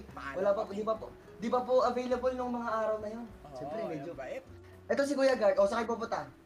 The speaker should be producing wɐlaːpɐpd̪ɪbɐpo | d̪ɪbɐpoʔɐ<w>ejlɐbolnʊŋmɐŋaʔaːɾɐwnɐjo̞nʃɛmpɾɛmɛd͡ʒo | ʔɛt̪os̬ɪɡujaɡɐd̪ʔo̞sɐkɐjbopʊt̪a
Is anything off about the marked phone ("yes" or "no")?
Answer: yes